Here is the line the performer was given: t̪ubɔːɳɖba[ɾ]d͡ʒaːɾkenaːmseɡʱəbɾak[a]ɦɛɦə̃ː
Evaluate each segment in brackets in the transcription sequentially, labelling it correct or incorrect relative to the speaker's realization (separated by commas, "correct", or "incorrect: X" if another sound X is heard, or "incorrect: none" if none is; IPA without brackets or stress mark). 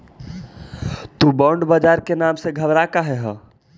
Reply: incorrect: none, correct